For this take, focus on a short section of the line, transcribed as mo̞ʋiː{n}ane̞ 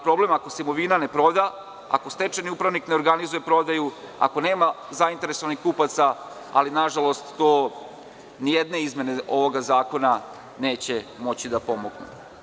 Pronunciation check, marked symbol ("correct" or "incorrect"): correct